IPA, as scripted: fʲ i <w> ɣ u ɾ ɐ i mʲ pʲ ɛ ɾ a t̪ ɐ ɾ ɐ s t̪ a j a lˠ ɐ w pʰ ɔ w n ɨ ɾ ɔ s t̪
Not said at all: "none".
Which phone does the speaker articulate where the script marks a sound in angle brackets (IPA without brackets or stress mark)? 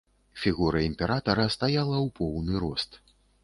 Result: none